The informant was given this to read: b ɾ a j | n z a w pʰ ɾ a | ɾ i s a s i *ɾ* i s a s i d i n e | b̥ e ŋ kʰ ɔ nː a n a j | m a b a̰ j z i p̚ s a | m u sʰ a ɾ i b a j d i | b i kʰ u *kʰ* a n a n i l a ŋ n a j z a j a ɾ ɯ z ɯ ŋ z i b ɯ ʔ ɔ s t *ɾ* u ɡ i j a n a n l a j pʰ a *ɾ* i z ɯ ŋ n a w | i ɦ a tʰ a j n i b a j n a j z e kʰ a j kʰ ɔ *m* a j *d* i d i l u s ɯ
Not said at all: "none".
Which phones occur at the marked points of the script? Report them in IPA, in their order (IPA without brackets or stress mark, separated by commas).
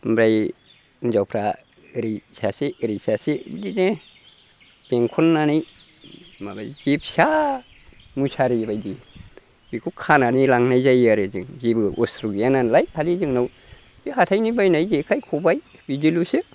ɾ, kʰ, ɾ, l, b, b